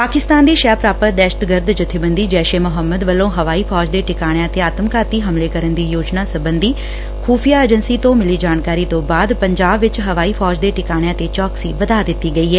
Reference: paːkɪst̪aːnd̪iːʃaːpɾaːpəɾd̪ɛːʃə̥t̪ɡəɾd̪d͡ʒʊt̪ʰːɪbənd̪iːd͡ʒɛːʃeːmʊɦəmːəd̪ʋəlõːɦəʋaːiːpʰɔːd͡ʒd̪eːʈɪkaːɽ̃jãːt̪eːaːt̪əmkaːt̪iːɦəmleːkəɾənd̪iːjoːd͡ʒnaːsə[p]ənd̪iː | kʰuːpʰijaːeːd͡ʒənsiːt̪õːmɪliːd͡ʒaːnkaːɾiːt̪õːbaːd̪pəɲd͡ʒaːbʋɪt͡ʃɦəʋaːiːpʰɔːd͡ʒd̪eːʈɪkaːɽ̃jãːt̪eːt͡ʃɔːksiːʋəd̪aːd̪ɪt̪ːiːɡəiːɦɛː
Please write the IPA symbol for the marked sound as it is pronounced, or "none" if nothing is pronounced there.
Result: b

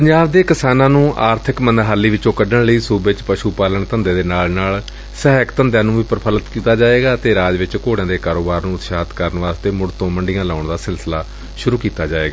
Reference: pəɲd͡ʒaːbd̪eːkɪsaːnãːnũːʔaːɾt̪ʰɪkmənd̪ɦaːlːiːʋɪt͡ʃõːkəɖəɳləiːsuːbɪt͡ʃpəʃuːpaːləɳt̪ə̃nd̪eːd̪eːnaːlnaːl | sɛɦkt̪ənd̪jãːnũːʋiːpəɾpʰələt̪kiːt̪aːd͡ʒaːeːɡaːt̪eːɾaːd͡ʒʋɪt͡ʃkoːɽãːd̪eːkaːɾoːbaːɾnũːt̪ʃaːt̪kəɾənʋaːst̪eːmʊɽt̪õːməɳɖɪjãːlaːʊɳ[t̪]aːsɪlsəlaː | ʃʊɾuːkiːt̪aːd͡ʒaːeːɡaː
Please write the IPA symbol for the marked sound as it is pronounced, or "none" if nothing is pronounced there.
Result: d̪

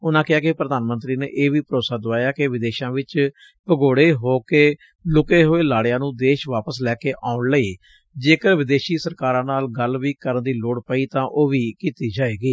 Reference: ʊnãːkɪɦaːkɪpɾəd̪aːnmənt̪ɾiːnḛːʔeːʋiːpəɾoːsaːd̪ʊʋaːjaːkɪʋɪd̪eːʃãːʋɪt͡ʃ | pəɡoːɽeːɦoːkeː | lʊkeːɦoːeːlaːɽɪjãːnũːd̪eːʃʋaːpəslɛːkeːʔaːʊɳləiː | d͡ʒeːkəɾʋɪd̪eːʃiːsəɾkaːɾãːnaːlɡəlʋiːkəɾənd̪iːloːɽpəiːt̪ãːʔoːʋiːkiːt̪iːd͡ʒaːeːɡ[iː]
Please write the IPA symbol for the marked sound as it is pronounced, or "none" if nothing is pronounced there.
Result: iː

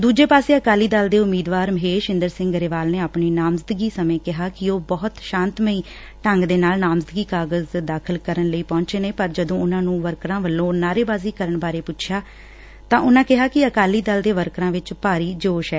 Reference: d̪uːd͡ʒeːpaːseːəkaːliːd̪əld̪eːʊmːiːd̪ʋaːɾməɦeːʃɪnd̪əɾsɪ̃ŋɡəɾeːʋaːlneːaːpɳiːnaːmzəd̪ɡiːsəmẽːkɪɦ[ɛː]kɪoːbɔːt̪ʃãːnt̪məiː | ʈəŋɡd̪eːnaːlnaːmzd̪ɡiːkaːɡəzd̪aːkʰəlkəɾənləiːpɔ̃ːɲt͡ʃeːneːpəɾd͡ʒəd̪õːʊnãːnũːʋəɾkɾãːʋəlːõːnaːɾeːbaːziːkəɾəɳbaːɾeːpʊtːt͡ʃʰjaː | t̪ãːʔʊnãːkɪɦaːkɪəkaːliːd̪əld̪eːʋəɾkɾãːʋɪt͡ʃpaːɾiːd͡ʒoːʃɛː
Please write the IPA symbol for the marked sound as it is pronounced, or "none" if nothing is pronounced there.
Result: aː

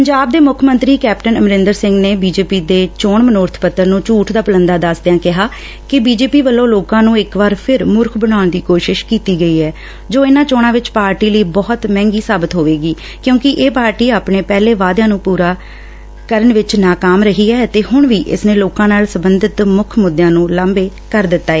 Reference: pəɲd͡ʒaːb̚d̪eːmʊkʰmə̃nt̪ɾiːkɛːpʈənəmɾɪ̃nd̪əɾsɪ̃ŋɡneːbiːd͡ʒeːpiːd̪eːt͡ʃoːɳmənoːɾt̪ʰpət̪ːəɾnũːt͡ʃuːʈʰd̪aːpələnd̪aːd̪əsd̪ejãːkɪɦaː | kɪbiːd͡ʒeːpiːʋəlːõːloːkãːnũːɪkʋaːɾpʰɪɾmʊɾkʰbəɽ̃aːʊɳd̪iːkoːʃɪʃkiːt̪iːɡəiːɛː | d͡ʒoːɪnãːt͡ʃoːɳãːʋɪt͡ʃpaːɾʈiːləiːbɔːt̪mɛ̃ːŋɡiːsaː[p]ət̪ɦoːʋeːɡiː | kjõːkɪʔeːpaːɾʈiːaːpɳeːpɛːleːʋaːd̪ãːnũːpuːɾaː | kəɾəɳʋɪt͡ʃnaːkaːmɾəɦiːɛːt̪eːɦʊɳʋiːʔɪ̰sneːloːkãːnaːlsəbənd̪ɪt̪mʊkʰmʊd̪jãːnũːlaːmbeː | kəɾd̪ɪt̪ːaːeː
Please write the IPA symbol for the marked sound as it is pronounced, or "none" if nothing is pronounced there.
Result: b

